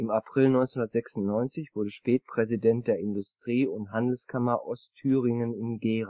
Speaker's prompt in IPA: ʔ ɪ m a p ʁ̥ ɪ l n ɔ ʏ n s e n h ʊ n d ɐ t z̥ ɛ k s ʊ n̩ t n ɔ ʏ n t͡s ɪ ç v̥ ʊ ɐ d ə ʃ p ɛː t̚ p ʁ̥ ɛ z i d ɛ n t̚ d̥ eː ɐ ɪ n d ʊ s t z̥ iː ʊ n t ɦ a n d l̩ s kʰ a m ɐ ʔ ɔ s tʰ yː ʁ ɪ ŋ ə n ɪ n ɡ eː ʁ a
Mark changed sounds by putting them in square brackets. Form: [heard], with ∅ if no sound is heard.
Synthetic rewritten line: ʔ ɪ m a p ʁ̥ ɪ l n ɔ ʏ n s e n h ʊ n d ɐ t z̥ ɛ k s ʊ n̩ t n ɔ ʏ n t͡s ɪ ç v̥ ʊ ɐ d ə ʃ p ɛː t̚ p ʁ̥ ɛ z i d ɛ n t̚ d̥ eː ɐ ɪ n d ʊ s t [ʁ̥] iː ʊ n t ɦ a n d l̩ s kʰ a m ɐ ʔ ɔ s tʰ yː ʁ ɪ ŋ ə n ɪ n ɡ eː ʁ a